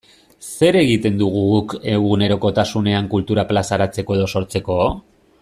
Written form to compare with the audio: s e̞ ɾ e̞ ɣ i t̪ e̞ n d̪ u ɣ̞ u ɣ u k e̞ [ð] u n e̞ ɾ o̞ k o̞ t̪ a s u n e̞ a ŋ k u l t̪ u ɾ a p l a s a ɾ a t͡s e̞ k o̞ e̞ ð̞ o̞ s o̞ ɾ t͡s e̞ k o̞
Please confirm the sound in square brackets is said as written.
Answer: no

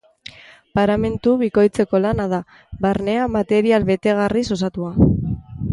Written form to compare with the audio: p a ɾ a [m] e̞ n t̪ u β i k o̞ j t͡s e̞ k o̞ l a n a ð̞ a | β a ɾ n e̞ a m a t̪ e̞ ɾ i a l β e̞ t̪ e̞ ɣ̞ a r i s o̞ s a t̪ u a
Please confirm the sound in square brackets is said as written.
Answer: yes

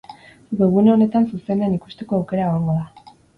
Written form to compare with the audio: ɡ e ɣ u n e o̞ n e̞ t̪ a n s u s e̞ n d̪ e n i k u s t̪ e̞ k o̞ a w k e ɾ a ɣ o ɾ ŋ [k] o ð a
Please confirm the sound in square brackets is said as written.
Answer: no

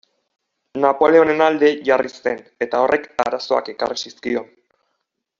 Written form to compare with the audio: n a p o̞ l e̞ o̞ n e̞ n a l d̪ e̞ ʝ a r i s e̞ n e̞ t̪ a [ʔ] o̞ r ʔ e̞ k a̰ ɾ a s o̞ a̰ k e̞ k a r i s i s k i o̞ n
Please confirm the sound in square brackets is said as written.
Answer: no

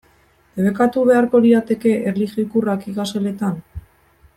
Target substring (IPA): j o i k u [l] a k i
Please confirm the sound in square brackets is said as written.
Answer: no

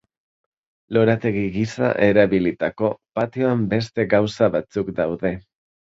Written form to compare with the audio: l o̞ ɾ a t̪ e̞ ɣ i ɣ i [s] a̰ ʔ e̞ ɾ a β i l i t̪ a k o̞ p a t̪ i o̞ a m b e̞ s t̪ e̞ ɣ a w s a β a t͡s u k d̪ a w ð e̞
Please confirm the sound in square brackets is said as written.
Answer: yes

